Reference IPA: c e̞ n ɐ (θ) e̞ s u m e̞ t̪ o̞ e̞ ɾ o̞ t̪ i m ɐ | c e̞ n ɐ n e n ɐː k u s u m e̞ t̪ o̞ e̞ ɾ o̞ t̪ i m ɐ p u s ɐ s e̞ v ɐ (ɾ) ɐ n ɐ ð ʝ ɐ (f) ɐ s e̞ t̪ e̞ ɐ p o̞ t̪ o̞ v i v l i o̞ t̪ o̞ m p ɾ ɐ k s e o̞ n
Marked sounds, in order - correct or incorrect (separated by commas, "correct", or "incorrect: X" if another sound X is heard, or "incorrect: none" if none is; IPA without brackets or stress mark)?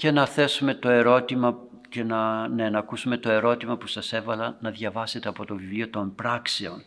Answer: correct, incorrect: l, incorrect: v